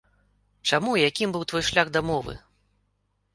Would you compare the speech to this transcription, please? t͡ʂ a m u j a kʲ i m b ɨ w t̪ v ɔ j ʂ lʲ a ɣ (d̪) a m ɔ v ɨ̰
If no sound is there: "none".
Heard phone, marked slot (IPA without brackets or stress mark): d̪